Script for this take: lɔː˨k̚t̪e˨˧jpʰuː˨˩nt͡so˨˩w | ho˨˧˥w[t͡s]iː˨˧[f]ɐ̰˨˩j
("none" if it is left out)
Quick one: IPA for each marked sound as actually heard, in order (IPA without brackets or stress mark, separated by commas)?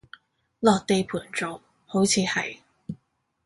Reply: t͡sʰ, h